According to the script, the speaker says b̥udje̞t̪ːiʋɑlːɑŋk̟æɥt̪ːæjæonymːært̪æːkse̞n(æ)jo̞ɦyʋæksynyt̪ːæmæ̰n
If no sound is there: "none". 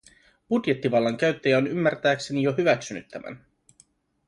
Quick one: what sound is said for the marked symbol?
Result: i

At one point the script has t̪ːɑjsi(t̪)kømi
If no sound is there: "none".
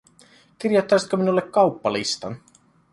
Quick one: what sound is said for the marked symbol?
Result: t̪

